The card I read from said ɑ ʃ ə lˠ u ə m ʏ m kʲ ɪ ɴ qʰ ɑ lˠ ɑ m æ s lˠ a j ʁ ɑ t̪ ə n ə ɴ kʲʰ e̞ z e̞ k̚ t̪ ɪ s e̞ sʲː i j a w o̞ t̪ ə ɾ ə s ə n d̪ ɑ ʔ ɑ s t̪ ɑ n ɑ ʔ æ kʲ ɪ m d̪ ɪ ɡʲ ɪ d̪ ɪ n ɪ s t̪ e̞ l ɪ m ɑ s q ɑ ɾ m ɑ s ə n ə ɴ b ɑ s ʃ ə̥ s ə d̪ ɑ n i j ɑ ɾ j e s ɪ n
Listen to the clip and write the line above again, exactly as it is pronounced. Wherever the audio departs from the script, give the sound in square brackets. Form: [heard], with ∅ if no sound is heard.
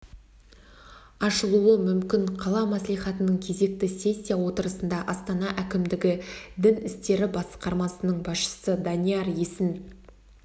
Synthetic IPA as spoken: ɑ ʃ ə lˠ u ə m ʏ m kʲ ɪ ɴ qʰ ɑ lˠ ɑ m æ s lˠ [i] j [χ] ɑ t̪ ə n ə ɴ kʲʰ e̞ z e̞ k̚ t̪ ɪ s e̞ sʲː i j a w o̞ t̪ ə ɾ ə s ə n d̪ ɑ ʔ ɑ s t̪ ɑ n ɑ ʔ æ kʲ ɪ m d̪ ɪ ɡʲ ɪ d̪ ɪ n ɪ s t̪ e̞ [ɾ] ɪ [b] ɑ s q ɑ ɾ m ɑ s ə n ə ɴ b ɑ s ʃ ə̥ s ə d̪ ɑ n i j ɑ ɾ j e s ɪ n